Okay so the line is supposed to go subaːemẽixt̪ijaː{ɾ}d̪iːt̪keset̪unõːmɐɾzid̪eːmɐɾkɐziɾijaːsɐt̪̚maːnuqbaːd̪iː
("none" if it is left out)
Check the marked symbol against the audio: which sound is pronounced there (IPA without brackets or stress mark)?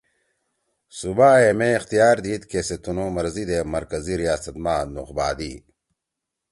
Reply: ɾ